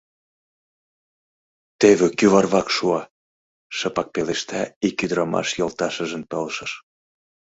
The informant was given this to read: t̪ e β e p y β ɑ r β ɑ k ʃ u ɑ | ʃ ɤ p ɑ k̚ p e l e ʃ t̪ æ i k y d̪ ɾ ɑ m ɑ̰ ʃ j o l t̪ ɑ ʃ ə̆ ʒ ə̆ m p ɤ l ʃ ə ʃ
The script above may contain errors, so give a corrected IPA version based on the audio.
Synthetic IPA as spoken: t̪ e β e k y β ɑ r β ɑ k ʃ u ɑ | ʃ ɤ p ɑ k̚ p e l e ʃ t̪ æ i k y d̪ ɾ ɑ m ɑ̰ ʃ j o l t̪ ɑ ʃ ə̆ ʒ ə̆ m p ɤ l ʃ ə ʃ